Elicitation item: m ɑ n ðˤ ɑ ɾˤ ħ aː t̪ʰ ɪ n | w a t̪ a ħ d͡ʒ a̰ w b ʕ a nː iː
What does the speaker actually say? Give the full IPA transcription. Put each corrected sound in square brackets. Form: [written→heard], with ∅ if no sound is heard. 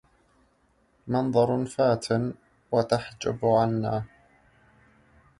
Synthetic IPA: m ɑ n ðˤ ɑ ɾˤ [ħ→f] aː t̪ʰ ɪ n | w a t̪ a ħ d͡ʒ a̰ [w→∅] b ʕ a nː [iː→aː]